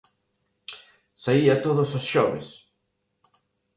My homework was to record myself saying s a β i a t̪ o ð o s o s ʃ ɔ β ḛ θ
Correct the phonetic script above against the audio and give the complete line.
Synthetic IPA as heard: s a i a t̪ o ð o s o s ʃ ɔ β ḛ s